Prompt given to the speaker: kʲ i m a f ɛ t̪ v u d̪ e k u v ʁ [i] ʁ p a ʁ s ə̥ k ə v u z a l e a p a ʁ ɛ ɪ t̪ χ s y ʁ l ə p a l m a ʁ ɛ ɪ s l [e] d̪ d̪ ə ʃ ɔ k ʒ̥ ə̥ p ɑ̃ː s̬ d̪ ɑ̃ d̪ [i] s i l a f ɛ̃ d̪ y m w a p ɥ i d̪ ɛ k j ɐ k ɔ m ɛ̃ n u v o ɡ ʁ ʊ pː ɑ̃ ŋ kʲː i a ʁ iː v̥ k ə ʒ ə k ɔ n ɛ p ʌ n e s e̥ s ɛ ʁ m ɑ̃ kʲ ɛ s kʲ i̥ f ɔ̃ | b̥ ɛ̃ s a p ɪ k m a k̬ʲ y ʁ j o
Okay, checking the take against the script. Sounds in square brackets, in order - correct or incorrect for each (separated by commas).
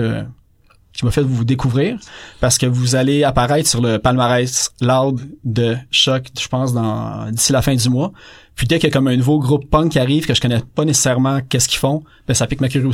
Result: incorrect, incorrect, correct